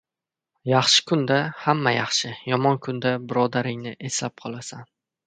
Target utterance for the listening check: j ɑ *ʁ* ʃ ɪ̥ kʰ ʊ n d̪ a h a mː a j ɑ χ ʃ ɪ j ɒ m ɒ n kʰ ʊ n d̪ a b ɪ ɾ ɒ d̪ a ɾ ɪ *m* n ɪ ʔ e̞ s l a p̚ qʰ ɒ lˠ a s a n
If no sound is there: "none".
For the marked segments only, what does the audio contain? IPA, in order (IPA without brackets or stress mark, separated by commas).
χ, ŋ